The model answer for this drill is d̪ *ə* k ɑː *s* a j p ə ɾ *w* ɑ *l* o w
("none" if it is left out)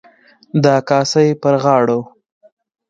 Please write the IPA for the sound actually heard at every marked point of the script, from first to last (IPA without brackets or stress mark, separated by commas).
ɑ, s, ɣ, ɽ